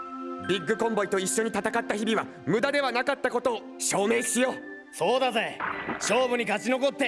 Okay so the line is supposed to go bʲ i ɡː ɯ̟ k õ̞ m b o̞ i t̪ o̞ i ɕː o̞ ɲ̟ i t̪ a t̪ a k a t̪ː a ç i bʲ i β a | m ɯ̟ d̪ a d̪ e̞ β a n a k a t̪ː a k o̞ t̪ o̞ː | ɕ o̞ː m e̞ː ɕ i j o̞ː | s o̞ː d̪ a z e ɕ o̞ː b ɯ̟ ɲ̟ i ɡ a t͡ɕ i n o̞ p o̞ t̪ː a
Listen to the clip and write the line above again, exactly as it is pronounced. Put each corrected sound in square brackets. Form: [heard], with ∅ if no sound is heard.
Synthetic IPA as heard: bʲ i ɡː ɯ̟ k õ̞ m b o̞ i t̪ o̞ i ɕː o̞ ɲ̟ i t̪ a t̪ a k a t̪ː a ç i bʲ i β a | m ɯ̟ d̪ a d̪ e̞ β a n a k a t̪ː a k o̞ t̪ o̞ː | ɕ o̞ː m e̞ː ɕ i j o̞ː | s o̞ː d̪ a z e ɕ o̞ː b ɯ̟ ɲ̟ i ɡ a t͡ɕ i n o̞ [k] o̞ t̪ː [e]